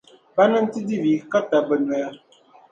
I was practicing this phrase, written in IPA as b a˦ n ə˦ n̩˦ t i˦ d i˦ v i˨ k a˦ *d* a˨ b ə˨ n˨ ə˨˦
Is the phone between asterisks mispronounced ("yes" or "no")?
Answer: yes